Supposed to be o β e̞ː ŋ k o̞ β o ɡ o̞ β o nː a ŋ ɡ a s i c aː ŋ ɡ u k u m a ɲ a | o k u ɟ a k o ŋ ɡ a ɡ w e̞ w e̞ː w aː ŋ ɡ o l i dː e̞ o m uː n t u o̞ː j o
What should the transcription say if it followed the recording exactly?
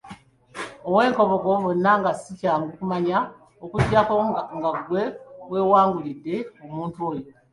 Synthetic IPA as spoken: o w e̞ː ŋ k o̞ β o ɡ o̞ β o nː a ŋ ɡ a s i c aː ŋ ɡ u k u m a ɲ a | o k u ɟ a k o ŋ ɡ a ɡ w e̞ w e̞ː w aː ŋ ɡ u l i dː e̞ o m uː n t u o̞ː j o